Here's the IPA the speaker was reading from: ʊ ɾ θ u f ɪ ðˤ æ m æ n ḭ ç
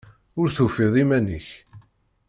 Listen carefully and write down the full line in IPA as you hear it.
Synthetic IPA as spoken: ʊ ɾ θ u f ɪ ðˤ i m æ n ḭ ç